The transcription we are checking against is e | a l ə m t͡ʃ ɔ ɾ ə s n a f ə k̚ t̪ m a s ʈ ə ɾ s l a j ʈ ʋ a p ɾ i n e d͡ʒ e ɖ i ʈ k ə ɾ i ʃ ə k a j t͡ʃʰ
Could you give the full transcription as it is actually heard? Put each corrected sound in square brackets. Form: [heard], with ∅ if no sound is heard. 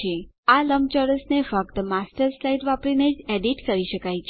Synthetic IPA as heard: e | a l ə m t͡ʃ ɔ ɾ ə s n [e] f ə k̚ t̪ m a s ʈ ə ɾ s l a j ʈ ʋ a p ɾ i n e d͡ʒ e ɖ i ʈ k ə ɾ i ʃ ə k a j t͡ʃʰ